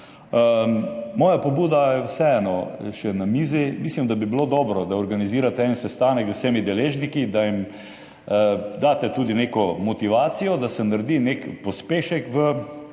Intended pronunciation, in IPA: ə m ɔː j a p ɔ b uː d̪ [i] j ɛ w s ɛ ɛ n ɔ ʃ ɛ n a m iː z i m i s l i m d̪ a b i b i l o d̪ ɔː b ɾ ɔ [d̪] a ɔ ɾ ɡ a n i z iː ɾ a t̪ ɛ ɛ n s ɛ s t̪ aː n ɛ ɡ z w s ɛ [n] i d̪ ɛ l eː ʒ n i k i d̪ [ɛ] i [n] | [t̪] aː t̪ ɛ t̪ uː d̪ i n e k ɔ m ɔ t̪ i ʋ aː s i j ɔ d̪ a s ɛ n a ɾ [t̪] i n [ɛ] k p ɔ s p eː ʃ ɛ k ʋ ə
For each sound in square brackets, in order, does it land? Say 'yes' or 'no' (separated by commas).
no, yes, no, no, no, no, no, no